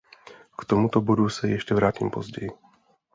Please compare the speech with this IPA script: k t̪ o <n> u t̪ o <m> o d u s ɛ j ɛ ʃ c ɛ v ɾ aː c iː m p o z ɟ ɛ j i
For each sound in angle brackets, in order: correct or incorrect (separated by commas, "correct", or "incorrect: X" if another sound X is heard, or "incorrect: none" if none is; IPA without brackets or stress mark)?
incorrect: m, incorrect: b